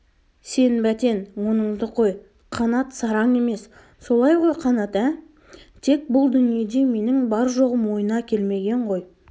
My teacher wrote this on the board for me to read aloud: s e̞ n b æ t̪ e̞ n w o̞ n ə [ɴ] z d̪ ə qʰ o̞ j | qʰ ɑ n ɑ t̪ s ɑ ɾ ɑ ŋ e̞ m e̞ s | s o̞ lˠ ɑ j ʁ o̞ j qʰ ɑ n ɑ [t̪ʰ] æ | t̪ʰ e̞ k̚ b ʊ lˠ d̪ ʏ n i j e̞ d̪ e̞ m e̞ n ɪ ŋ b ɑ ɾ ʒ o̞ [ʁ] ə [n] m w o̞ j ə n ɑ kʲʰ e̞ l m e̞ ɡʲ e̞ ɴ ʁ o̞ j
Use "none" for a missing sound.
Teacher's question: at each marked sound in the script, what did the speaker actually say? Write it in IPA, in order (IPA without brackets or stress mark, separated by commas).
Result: ɴ, t̪, ʁ, none